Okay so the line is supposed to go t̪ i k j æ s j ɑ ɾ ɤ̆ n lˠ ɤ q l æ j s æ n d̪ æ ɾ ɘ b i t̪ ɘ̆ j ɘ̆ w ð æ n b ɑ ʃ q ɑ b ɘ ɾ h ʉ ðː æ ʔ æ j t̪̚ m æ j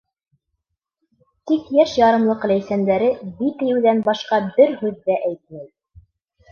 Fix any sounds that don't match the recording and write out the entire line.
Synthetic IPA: t̪ i k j æ ʃ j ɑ ɾ ɤ̆ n lˠ ɤ q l æ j s æ n d̪ æ ɾ ɘ b i t̪ ɘ̆ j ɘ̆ w ð æ n b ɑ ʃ q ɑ b ɘ ɾ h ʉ ðː æ ʔ æ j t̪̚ m æ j